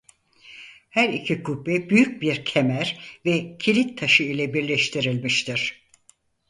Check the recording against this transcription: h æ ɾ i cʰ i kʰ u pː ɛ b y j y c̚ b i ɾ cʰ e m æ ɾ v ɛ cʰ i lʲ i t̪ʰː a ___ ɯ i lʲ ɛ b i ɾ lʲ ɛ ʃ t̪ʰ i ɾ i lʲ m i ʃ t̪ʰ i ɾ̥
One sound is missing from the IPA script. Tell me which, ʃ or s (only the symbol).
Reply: ʃ